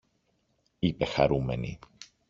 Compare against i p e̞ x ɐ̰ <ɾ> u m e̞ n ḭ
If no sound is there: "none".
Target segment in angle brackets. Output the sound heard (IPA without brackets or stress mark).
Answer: ɾ